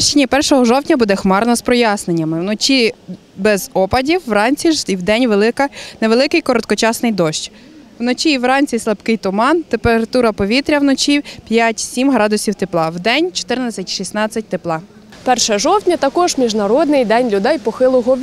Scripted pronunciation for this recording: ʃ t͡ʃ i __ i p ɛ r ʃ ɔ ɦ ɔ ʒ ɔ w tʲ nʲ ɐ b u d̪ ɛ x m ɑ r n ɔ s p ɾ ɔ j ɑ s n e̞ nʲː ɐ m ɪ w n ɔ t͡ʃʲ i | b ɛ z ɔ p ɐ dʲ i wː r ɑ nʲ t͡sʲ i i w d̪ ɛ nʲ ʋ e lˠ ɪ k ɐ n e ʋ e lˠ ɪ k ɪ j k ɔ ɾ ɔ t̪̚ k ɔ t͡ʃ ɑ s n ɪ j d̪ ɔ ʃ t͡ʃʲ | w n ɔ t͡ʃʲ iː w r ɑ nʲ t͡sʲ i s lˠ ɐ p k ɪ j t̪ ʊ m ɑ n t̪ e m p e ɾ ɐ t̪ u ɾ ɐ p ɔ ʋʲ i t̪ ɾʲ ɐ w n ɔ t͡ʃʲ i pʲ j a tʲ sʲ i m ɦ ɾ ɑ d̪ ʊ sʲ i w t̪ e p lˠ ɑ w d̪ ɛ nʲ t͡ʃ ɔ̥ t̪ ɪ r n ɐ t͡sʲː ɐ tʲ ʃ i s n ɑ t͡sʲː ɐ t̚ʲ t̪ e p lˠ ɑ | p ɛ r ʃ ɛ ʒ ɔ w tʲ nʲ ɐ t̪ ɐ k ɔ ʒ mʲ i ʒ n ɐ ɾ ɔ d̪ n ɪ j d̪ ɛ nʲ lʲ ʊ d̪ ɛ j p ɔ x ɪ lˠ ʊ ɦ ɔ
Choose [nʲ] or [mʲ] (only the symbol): nʲ